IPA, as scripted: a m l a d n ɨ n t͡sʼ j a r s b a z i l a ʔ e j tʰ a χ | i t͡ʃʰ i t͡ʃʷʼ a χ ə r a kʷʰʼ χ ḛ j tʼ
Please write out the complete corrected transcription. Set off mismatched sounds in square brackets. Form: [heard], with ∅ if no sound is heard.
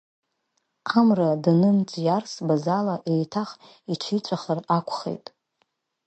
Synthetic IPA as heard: a m [r] a d n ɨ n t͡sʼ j a r s b a z [a] l a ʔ e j tʰ a χ | i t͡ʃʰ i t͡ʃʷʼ a χ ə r a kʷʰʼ χ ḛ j tʼ